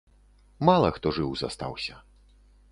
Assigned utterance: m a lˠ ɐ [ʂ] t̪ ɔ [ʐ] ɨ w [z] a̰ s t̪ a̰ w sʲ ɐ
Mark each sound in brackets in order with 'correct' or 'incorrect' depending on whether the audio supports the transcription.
incorrect: x, correct, correct

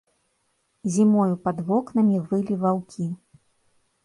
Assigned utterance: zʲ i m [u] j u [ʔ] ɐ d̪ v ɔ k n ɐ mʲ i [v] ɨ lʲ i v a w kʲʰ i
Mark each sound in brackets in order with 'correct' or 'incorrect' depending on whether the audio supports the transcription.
incorrect: ɔ, incorrect: p, correct

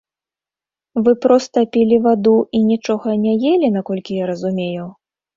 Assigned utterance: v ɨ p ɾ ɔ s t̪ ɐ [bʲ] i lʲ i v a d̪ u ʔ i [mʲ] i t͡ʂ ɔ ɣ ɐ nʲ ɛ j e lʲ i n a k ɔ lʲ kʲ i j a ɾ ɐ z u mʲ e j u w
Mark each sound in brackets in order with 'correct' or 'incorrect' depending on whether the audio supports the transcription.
incorrect: pʲ, incorrect: nʲ

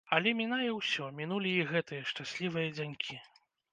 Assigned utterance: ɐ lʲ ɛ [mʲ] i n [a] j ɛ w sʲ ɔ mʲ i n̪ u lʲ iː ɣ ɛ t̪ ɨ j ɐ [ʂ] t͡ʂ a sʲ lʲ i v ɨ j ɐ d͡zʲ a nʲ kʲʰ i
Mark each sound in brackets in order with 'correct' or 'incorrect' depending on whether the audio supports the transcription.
correct, correct, correct

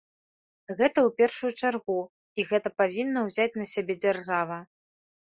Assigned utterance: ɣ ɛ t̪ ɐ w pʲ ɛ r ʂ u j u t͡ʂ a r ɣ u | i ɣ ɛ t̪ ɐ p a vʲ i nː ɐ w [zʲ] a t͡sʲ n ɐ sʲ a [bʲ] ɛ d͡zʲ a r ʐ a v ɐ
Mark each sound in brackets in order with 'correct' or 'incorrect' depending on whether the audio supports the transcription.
correct, correct

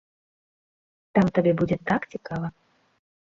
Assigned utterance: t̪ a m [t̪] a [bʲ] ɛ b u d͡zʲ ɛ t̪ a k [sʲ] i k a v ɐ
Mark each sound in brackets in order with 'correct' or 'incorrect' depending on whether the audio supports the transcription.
correct, correct, incorrect: t͡sʲ

